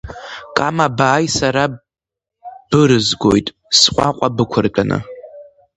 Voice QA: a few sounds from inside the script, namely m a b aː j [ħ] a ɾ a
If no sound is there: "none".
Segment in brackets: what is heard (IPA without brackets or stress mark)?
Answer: s